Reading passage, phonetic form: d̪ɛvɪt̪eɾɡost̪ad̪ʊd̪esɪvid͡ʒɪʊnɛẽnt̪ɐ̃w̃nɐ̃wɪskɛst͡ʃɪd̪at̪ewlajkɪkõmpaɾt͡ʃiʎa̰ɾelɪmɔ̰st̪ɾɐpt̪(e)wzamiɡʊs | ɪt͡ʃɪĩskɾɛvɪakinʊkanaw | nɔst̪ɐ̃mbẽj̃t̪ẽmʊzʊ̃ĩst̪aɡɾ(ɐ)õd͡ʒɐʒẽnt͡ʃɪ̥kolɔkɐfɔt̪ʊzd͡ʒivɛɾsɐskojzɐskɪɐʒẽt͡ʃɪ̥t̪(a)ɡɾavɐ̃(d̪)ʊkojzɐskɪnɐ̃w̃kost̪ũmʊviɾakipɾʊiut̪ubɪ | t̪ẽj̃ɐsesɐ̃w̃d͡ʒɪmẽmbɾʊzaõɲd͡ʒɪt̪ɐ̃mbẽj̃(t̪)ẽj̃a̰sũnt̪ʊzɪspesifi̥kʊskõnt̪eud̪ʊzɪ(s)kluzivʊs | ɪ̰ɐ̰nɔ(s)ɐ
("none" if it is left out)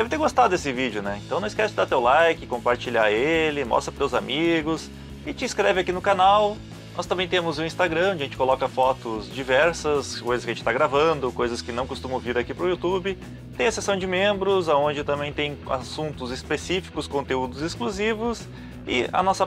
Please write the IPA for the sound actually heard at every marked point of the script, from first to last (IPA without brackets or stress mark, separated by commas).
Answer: e, ɐ̃, a, d̪, t̪, s, s